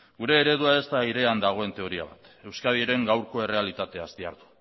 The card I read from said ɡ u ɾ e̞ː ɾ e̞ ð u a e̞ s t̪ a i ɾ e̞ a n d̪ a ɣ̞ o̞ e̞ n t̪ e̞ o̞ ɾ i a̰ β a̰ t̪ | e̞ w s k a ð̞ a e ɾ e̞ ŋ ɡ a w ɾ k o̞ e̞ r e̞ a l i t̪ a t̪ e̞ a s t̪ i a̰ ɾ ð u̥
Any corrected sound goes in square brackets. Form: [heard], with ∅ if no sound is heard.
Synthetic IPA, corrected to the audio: ɡ u ɾ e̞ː ɾ e̞ ð u a e̞ s t̪ a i ɾ e̞ a n d̪ a ɣ̞ o̞ e̞ n t̪ e̞ o̞ ɾ i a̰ β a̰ t̪ | e̞ w s k a ð̞ [i] e ɾ e̞ ŋ ɡ a w ɾ k o̞ e̞ r e̞ a l i t̪ a t̪ e̞ a s t̪ i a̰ ɾ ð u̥

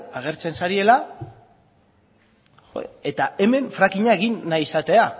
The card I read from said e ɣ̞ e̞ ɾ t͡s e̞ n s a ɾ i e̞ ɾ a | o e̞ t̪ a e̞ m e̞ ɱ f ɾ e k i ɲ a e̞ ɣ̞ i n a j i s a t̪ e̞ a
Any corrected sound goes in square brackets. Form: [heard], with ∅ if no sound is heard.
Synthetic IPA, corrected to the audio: [a] ɣ̞ e̞ ɾ t͡s e̞ n s a ɾ i e̞ [l] a | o e̞ t̪ a e̞ m e̞ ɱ f ɾ [a] k i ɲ a e̞ ɣ̞ i [nː] a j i s a t̪ e̞ a

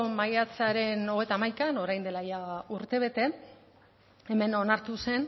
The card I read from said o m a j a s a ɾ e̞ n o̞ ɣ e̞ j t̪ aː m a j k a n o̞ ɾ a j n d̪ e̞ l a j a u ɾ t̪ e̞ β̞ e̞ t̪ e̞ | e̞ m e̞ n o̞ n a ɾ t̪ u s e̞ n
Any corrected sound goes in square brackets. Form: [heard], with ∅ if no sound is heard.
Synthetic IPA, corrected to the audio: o m a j a [t͡s] a ɾ e̞ n o̞ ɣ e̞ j t̪ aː m a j k a n o̞ ɾ a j n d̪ e̞ l a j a u ɾ t̪ e̞ β̞ e̞ t̪ e̞ | e̞ m e̞ n o̞ n a ɾ t̪ u s e̞ n

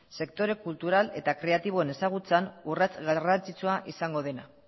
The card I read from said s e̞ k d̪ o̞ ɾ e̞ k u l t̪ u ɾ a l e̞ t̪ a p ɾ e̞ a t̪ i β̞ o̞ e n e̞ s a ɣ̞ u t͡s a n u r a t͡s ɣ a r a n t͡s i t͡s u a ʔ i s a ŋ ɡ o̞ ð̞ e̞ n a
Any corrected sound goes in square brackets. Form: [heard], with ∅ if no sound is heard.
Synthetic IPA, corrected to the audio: s e̞ k [t̪] o̞ ɾ e̞ k u l t̪ u ɾ a l e̞ t̪ a [k] ɾ e̞ a t̪ i β̞ o̞ e n e̞ s a ɣ̞ u t͡s a n u r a t͡s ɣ a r a n t͡s i t͡s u a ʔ i s a ŋ ɡ o̞ ð̞ e̞ n a

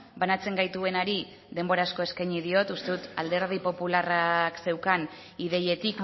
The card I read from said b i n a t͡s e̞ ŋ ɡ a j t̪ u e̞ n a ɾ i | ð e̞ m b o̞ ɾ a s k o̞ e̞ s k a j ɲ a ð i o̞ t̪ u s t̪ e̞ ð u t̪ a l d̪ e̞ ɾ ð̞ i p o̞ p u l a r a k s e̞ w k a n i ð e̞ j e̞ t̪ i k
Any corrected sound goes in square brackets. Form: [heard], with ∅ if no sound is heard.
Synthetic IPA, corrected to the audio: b [a] n a t͡s e̞ ŋ ɡ a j t̪ u e̞ n a ɾ i | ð e̞ m b o̞ ɾ a s k o̞ e̞ s k a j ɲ [i] ð i o̞ t̪ u s t̪ e̞ ð u t̪ a l d̪ e̞ ɾ ð̞ i p o̞ p u l a r a k s e̞ w k a n i ð e̞ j e̞ t̪ i k

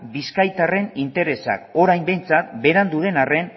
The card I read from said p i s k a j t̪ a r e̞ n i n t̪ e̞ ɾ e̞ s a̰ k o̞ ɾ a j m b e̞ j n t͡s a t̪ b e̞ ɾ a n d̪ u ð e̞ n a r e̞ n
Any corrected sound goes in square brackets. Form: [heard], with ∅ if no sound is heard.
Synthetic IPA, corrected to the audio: [b] i s k a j t̪ a r e̞ n i n t̪ e̞ ɾ e̞ s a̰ k o̞ ɾ a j m b e̞ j n t͡s a t̪ b e̞ ɾ a n d̪ u ð e̞ n a r e̞ n

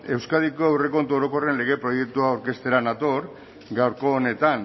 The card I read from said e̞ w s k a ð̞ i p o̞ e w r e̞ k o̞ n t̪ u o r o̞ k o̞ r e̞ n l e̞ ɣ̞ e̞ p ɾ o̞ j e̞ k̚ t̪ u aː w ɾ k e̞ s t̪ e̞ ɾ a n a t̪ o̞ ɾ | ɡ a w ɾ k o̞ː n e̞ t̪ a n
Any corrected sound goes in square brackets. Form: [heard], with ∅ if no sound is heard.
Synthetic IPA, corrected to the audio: e̞ w s k a ð̞ i [k] o̞ e w r e̞ k o̞ n t̪ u o [ɾ] o̞ k o̞ r e̞ n l e̞ ɣ̞ e̞ p ɾ o̞ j e̞ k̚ t̪ u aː w ɾ k e̞ s t̪ e̞ ɾ a n a t̪ o̞ ɾ | ɡ a w ɾ k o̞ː n e̞ t̪ a n

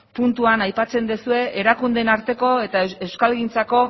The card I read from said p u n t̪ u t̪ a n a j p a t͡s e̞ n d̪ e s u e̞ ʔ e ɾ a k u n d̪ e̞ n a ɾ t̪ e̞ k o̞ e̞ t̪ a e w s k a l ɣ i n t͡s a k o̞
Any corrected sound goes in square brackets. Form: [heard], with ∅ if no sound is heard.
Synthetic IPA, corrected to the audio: p u n t̪ u [∅] a n a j p a t͡s e̞ n d̪ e s u e̞ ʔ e ɾ a k u n d̪ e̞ n a ɾ t̪ e̞ k o̞ e̞ t̪ a e w s k a l ɣ i n t͡s a k o̞

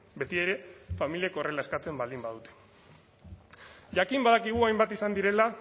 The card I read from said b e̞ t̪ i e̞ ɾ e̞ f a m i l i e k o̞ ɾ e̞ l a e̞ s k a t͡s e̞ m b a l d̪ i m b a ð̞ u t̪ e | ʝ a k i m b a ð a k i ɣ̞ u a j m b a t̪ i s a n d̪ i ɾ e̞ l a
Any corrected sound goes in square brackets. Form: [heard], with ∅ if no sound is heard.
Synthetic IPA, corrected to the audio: b e̞ t̪ i e̞ ɾ e̞ f a m i l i e k o̞ [r] e̞ l a e̞ s k a t͡s e̞ m b a l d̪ i m b a ð̞ u t̪ e | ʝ a k i m b a ð a k i ɣ̞ u a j m b a t̪ i s a n d̪ i ɾ e̞ l a

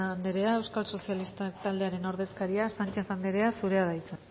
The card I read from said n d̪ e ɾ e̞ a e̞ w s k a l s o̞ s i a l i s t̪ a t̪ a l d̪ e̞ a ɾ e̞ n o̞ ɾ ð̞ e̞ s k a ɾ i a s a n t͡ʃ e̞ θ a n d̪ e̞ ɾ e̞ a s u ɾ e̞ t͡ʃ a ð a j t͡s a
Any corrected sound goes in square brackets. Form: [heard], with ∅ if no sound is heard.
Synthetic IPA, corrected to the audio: n d̪ e ɾ e̞ a e̞ w s k a l s o̞ s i a l i s t̪ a t̪ a l d̪ e̞ a ɾ e̞ n o̞ ɾ ð̞ e̞ s k a ɾ i a s a n t͡ʃ e̞ θ a n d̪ e̞ ɾ e̞ a s u ɾ e̞ [∅] a ð a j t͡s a

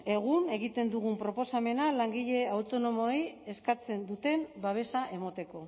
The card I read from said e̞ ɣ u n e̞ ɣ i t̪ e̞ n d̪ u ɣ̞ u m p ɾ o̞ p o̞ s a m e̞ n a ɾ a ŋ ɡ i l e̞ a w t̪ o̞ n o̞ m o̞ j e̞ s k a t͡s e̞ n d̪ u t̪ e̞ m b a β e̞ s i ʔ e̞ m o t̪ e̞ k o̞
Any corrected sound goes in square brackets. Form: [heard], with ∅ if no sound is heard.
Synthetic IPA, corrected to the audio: e̞ ɣ u n e̞ ɣ i t̪ e̞ n d̪ u ɣ̞ u m p ɾ o̞ p o̞ s a m e̞ n a [l] a ŋ ɡ i [ʎ] e̞ a w t̪ o̞ n o̞ m o̞ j e̞ s k a t͡s e̞ n d̪ u t̪ e̞ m b a β e̞ s [a] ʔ e̞ m o t̪ e̞ k o̞

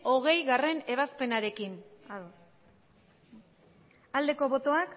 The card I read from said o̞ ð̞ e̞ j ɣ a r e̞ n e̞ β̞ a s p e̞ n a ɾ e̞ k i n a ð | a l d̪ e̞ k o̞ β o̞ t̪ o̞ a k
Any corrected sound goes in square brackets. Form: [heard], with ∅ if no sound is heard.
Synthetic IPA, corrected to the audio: o̞ [ɣ̞] e̞ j ɣ a r e̞ n e̞ β̞ a s p e̞ n a ɾ e̞ k i n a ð | a l d̪ e̞ k o̞ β o̞ t̪ o̞ a k

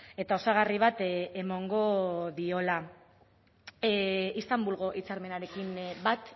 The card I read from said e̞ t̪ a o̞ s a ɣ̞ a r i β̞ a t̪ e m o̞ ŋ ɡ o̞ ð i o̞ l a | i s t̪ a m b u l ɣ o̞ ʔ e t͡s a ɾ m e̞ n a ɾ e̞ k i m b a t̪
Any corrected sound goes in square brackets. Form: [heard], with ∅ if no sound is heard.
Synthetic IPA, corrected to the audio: e̞ t̪ a o̞ s a ɣ̞ a r i β̞ a t̪ e m o̞ ŋ ɡ o̞ ð i o̞ l a | i s t̪ a m b u l ɣ o̞ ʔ [i] t͡s a ɾ m e̞ n a ɾ e̞ k i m b a t̪

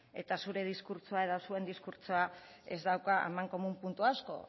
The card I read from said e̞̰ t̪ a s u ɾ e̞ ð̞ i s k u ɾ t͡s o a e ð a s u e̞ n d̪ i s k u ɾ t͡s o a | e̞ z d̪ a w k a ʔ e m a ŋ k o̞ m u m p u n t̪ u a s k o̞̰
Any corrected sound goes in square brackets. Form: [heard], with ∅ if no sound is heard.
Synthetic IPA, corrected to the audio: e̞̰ t̪ a s u ɾ e̞ ð̞ i s k u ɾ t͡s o a e ð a s u e̞ n d̪ i s k u ɾ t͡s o a | e̞ z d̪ a w k a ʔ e m a ŋ k o̞ m u m p u n t̪ u a s k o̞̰

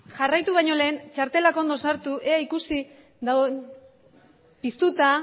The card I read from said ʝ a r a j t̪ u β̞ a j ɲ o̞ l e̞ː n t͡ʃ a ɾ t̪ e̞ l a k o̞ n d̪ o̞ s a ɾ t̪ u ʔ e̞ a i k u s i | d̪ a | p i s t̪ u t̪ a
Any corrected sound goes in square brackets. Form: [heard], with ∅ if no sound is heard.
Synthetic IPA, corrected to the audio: ʝ a r a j t̪ u β̞ a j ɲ o̞ l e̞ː n t͡ʃ a ɾ t̪ e̞ l a k o̞ n d̪ o̞ s a ɾ t̪ u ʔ e̞ a i k u s i | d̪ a | p i s t̪ u t̪ a

